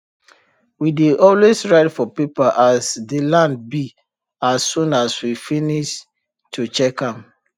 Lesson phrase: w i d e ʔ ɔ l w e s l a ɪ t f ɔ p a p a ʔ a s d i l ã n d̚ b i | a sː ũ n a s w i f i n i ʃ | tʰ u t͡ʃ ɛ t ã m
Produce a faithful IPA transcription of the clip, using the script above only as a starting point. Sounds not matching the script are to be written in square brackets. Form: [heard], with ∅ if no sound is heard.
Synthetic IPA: w i d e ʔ ɔ l w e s [ɹ] a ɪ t f ɔ p [i] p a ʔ a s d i l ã n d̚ b i | a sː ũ n a s w i f i n i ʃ | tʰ u t͡ʃ ɛ [k] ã m